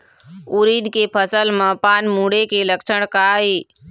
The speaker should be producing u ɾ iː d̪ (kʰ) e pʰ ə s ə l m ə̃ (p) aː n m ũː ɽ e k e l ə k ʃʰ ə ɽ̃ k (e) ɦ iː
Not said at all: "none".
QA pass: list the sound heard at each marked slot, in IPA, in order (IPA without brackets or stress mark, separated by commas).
k, p, a